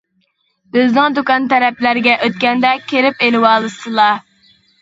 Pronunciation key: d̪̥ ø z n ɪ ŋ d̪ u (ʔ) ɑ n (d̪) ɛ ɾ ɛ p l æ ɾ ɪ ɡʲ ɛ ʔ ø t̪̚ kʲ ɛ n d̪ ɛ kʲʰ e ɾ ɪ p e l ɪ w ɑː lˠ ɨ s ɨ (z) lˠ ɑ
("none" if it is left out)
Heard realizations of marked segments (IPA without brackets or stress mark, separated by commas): k, t̪, none